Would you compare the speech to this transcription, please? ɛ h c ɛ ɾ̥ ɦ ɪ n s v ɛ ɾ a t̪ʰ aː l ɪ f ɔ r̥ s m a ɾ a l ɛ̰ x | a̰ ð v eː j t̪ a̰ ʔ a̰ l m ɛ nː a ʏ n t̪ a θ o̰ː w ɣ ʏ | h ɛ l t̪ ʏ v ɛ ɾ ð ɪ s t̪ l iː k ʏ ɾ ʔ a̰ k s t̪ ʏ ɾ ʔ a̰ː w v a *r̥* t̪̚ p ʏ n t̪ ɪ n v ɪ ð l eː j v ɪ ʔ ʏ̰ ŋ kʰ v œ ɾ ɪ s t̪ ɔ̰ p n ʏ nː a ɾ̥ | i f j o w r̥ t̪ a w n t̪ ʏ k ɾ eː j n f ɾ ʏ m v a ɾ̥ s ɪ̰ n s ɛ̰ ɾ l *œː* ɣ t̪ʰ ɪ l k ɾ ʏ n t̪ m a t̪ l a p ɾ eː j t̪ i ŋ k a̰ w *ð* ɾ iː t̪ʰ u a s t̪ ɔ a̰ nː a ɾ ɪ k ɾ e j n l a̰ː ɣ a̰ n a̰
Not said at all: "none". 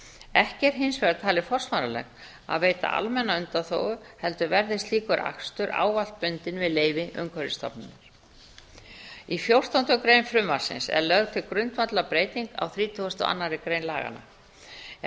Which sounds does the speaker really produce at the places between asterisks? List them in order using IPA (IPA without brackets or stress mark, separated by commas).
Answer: l̥, œ, θ